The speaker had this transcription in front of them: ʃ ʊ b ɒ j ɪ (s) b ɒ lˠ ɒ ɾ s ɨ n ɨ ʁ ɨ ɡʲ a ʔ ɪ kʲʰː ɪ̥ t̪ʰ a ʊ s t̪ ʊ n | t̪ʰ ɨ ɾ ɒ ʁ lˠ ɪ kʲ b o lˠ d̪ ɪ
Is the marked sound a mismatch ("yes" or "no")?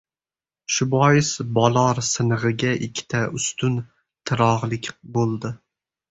no